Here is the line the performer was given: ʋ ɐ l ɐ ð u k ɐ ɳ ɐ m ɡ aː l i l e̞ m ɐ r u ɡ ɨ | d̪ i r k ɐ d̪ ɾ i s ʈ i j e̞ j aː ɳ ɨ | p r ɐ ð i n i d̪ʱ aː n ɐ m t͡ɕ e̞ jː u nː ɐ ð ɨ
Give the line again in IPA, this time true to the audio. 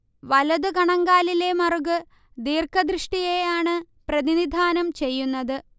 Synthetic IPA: ʋ ɐ l ɐ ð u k ɐ ɳ ɐ ŋ ɡ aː l i l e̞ m ɐ r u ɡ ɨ | d̪ iː r k ɐ d̪ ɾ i ʂ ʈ i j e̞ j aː ɳ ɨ | p r ɐ ð i n i d̪ʱ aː n ɐ m t͡ɕ e̞ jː u nː ɐ ð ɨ